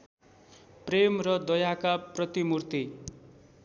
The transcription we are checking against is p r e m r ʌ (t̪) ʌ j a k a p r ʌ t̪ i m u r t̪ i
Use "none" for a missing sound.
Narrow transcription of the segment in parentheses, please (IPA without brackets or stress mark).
d̪